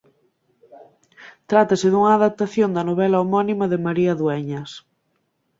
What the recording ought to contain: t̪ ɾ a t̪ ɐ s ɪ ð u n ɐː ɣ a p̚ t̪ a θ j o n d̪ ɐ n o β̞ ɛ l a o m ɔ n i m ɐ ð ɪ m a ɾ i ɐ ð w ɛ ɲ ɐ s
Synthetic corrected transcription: t̪ ɾ a t̪ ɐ s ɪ ð u ŋ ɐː ð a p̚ t̪ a θ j o n d̪ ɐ n o β̞ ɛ l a o m ɔ n i m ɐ ð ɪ m a ɾ i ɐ ð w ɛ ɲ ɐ s